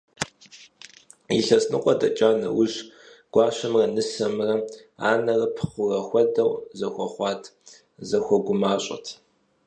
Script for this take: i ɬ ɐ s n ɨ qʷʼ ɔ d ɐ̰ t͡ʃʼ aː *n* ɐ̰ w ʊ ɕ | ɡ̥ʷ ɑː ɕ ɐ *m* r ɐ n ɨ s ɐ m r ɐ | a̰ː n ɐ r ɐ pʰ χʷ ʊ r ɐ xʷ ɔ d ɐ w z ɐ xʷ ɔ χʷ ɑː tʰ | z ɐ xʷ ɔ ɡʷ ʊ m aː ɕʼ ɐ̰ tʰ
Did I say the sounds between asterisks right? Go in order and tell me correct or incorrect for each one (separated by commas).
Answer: correct, correct